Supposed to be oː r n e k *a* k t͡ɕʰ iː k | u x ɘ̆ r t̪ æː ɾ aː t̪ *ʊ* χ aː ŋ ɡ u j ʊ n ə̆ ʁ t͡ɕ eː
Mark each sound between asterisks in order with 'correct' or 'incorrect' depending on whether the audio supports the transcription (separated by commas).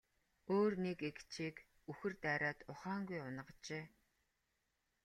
incorrect, correct